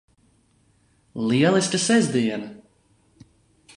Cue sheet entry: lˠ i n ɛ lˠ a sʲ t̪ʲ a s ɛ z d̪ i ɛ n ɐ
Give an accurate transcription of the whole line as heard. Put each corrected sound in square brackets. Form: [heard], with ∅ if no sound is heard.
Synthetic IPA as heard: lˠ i [∅] ɛ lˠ [i] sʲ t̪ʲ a s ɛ z d̪ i ɛ n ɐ